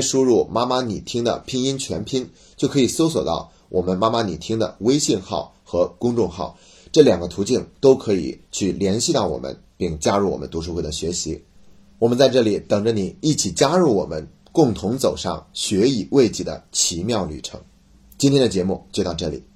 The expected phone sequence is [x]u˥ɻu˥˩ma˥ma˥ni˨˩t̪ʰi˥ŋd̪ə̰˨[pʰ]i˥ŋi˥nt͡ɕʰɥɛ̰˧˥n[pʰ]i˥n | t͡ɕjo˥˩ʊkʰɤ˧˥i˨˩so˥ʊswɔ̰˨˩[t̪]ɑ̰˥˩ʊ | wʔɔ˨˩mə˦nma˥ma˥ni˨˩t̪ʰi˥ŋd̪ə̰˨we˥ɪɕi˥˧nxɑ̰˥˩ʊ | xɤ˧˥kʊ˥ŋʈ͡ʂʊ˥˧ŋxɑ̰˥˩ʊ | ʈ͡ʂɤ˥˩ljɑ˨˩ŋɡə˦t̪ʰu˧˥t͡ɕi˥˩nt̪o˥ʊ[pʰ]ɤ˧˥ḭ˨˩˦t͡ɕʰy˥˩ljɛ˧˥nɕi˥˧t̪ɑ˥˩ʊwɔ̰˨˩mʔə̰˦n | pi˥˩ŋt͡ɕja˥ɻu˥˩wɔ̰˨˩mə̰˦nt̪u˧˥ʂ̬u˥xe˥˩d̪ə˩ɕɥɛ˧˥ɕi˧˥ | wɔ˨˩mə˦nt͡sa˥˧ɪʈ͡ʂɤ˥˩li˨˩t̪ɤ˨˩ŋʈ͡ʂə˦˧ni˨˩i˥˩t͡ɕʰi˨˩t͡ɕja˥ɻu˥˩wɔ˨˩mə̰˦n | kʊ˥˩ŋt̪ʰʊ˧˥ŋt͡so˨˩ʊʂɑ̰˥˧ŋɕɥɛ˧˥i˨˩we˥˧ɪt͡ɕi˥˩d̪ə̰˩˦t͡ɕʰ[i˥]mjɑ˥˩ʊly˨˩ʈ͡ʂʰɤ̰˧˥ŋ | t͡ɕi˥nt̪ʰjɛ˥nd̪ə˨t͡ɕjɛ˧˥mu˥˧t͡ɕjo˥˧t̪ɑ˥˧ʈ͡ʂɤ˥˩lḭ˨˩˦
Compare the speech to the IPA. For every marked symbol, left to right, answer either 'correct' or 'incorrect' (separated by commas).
incorrect, correct, correct, correct, incorrect, incorrect